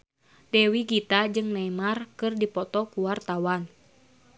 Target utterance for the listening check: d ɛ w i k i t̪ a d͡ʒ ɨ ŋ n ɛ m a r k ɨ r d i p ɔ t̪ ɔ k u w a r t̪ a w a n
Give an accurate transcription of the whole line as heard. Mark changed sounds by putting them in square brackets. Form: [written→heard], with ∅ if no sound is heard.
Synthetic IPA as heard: d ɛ w i [k→ɡ] i t̪ a d͡ʒ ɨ ŋ n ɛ m a r k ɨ r d i p ɔ t̪ ɔ k u w a r t̪ a w a n